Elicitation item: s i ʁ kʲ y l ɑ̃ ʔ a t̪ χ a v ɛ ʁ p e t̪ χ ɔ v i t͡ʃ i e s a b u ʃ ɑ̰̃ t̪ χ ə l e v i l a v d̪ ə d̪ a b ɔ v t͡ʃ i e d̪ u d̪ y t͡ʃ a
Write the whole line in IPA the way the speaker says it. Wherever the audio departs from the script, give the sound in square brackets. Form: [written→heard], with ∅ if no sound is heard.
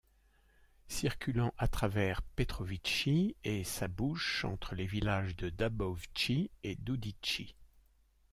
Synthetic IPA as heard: s i ʁ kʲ y l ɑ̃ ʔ a t̪ χ a v ɛ ʁ p e t̪ χ ɔ v i t͡ʃ i e s a b u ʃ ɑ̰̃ t̪ χ ə l e v i l a [v→ʒ] d̪ ə d̪ a b ɔ v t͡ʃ i e d̪ u d̪ [y→i] t͡ʃ [a→i]